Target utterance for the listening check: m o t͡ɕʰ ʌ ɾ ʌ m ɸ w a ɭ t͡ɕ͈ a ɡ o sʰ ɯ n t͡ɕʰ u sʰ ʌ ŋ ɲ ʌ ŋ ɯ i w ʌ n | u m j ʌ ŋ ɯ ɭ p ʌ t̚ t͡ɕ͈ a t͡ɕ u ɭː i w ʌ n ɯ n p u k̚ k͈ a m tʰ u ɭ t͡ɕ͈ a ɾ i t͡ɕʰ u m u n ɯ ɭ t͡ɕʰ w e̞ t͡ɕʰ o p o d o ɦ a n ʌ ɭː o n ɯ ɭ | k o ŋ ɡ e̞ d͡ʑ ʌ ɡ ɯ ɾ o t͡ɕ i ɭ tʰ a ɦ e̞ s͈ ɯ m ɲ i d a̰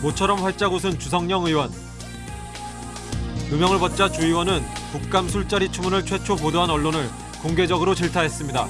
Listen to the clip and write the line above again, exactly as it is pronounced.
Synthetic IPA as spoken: m o t͡ɕʰ ʌ ɾ ʌ m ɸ w a ɭ t͡ɕ͈ a ɡ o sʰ ɯ n t͡ɕ u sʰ ʌ ŋ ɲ ʌ ŋ ɯ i w ʌ n | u m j ʌ ŋ ɯ ɭ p ʌ t̚ t͡ɕ͈ a t͡ɕ u i w ʌ n ɯ n p u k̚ k͈ a m sʰ u ɭ t͡ɕ͈ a ɾ i t͡ɕʰ u m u n ɯ ɭ t͡ɕʰ w e̞ t͡ɕʰ o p o d o ɦ a n ʌ ɭː o n ɯ ɭ | k o ŋ ɡ e̞ d͡ʑ ʌ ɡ ɯ ɾ o t͡ɕ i ɭ tʰ a ɦ e̞ s͈ ɯ m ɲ i d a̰